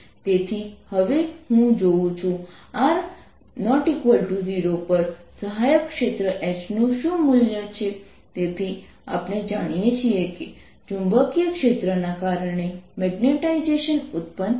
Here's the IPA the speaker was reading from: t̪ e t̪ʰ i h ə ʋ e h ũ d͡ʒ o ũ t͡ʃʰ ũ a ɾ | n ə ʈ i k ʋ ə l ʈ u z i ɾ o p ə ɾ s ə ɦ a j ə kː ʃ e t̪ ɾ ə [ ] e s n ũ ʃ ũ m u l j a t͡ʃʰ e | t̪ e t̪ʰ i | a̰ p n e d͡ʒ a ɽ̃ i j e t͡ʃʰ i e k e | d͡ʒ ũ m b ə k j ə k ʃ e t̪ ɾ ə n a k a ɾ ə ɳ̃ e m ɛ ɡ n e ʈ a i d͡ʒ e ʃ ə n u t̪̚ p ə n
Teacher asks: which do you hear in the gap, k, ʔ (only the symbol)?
ʔ